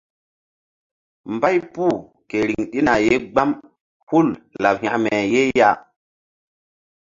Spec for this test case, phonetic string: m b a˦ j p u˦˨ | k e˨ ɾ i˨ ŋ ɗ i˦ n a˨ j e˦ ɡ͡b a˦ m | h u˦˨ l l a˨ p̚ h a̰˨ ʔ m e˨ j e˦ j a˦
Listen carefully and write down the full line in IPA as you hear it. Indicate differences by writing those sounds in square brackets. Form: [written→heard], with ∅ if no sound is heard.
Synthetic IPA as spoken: m b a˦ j p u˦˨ | k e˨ ɾ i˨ ŋ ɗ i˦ n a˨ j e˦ ɡ͡b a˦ m | h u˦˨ l l a˨ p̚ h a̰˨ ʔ m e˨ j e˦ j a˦